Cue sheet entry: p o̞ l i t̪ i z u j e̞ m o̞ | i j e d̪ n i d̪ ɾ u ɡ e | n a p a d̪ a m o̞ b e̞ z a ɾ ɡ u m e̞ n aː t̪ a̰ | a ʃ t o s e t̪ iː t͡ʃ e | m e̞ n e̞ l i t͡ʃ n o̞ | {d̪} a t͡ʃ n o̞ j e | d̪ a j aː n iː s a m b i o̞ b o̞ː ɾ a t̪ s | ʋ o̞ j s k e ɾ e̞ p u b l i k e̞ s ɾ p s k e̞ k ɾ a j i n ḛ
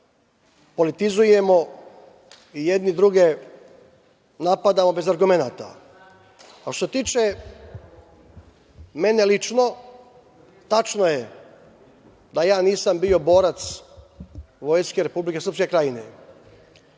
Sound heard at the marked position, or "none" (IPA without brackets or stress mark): t̪